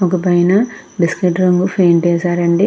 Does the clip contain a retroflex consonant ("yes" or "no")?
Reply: yes